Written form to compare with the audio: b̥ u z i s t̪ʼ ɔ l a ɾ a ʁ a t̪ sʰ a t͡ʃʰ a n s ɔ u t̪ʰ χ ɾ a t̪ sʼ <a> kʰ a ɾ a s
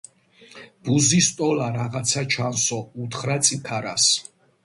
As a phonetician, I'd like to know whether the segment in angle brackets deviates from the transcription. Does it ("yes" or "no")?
yes